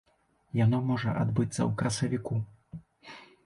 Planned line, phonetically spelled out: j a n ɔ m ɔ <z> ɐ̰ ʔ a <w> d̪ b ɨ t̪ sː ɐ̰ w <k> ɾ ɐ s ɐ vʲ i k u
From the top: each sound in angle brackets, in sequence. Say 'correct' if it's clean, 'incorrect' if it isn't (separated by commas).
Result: incorrect, incorrect, correct